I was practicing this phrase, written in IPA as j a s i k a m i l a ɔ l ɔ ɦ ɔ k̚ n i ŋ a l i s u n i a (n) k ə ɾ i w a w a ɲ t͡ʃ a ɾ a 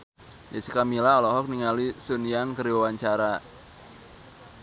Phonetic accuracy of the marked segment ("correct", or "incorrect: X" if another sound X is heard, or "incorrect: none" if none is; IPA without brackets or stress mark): incorrect: ŋ